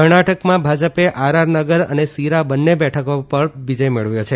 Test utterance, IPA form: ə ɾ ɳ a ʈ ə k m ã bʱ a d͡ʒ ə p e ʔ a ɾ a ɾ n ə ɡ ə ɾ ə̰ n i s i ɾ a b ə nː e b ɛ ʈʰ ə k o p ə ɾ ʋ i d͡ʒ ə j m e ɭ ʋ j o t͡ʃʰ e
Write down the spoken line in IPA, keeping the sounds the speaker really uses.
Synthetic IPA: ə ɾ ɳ a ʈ ə k m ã bʱ a d͡ʒ ə p e ʔ a ɾ a ɾ n ə ɡ ə ɾ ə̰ n e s i ɾ a b ə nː e b ɛ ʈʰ ə k o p ə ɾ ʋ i d͡ʒ ə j m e ɭ ʋ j o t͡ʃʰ e